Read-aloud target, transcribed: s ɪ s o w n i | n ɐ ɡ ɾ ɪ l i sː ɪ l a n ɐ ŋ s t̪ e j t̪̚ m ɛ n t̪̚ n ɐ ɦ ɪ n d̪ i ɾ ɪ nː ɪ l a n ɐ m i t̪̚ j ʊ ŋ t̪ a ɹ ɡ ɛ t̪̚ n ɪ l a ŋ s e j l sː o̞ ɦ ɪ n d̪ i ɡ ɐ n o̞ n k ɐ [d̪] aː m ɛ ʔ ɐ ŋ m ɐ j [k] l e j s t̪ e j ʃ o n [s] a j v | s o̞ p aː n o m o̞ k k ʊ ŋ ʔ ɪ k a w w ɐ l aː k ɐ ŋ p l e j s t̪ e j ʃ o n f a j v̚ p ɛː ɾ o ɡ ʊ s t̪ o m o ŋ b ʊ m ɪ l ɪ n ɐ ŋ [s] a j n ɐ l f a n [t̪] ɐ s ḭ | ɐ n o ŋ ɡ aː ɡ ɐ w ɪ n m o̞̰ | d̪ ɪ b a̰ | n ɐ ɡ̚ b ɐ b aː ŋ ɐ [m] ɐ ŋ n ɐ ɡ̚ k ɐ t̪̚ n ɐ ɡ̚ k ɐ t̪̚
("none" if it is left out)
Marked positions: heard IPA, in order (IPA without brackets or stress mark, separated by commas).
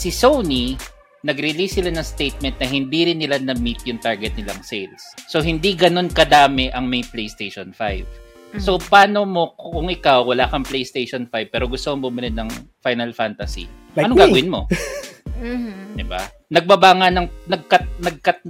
d̪, p, f, f, t̪, n